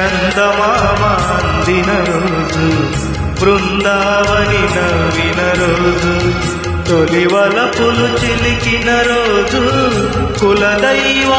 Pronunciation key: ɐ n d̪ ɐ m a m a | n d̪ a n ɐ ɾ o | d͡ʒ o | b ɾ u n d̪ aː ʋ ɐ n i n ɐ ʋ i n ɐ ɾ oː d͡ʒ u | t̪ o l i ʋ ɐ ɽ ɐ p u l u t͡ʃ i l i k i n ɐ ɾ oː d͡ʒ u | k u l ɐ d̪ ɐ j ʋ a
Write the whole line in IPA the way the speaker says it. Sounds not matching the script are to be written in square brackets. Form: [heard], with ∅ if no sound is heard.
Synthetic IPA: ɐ n d̪ ɐ m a m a | n d̪ [i] n ɐ ɾ o | d͡ʒ [u] | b ɾ u n d̪ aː ʋ ɐ n i n ɐ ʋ i n ɐ ɾ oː d͡ʒ u | t̪ o l i ʋ ɐ [l] ɐ p u l u t͡ʃ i l i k i n ɐ ɾ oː d͡ʒ u | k u l ɐ d̪ ɐ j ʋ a